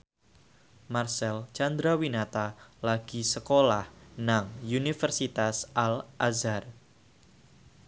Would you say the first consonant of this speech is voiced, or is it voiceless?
voiced